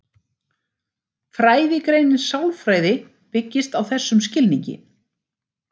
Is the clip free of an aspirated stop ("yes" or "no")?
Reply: yes